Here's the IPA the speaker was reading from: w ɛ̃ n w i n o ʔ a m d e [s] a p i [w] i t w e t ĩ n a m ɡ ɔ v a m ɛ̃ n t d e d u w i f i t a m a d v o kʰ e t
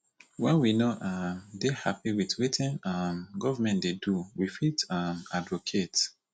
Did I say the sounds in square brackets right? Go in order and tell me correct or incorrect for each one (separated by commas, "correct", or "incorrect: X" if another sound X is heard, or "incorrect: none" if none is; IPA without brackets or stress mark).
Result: incorrect: h, correct